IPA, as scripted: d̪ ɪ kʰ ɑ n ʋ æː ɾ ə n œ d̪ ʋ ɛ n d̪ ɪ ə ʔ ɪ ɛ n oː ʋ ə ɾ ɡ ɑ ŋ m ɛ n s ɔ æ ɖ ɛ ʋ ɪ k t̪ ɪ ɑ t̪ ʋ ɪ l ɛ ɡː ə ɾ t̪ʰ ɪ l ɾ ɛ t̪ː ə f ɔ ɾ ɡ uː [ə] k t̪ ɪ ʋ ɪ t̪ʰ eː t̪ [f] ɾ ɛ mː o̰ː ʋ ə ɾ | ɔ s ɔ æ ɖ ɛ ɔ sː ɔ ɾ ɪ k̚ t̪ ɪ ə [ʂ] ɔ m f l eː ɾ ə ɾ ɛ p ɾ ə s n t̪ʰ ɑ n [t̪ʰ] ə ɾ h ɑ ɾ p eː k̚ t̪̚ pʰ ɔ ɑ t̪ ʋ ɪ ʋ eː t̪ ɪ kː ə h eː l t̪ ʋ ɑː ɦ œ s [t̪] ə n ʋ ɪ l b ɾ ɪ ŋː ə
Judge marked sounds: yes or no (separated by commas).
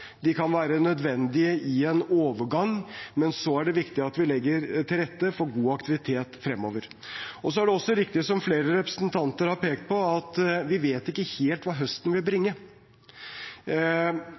no, yes, no, no, yes